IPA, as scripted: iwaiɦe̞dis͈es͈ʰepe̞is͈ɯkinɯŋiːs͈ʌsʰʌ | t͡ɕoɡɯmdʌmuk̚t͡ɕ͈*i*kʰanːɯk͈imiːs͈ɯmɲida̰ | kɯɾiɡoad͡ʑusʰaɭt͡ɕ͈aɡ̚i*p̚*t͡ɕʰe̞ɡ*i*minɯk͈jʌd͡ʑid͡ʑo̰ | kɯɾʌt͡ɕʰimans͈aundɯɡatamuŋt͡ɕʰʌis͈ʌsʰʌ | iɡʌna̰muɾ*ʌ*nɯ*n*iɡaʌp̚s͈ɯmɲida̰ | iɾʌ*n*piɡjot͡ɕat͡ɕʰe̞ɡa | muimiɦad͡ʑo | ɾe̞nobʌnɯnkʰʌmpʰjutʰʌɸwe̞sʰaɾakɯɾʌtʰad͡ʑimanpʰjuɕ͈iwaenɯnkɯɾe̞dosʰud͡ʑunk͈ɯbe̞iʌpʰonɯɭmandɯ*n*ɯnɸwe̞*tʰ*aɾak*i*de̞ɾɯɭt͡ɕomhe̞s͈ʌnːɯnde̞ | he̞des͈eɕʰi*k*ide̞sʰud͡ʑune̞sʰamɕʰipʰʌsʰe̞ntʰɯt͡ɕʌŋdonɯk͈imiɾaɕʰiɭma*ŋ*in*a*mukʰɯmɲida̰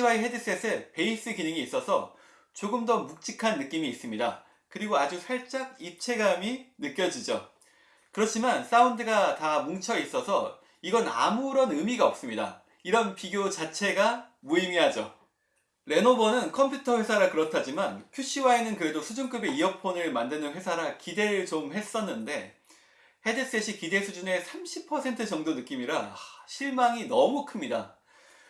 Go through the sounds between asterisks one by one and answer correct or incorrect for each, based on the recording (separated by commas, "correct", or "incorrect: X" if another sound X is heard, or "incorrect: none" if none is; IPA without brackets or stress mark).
correct, correct, incorrect: a, correct, incorrect: m, correct, correct, incorrect: sʰ, correct, correct, correct, incorrect: ʌ